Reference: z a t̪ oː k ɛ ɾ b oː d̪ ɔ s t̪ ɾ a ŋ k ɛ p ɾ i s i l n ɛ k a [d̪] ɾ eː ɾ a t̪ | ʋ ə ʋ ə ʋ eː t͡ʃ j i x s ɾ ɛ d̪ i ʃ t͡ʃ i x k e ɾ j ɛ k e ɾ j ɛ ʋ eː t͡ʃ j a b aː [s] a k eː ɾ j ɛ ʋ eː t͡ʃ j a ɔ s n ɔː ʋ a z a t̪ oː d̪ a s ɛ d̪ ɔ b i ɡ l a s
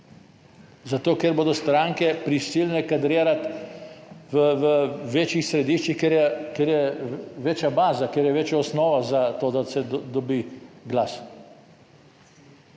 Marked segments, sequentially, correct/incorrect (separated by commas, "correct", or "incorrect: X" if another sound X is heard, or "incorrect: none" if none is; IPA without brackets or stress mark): correct, incorrect: z